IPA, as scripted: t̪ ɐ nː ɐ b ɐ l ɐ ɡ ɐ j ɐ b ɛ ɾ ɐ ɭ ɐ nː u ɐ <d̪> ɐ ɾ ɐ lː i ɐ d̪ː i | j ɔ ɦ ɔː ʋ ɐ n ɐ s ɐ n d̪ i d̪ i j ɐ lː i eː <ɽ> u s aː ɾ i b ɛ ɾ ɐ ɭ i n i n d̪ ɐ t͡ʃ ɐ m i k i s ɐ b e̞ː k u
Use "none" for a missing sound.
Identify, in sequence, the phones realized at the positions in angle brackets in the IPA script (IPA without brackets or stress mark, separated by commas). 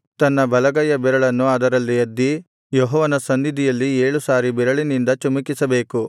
d̪, ɭ